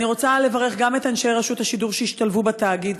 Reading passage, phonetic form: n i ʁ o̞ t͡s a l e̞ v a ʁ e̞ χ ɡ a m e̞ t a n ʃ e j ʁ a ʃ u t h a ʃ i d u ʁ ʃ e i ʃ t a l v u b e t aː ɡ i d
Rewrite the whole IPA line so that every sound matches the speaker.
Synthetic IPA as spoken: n i ʁ o̞ t͡s a l e̞ v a ʁ e̞ χ ɡ a m e̞ t a n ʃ e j ʁ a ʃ u t h a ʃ i d u ʁ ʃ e i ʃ t a l v u b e t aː ɡ i d